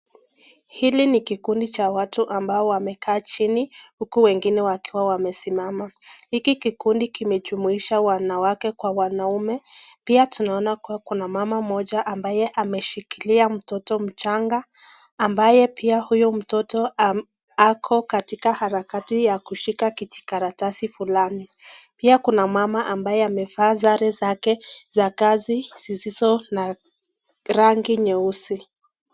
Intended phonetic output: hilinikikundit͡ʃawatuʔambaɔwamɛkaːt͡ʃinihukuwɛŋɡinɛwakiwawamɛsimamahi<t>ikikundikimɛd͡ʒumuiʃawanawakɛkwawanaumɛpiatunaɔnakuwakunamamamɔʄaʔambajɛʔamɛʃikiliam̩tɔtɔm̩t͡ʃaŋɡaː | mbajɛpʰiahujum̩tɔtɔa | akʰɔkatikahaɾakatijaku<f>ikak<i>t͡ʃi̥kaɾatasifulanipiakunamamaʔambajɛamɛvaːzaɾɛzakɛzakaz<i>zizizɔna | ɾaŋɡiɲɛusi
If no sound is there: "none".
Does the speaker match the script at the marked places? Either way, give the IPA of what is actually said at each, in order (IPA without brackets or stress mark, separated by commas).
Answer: k, ʃ, i, i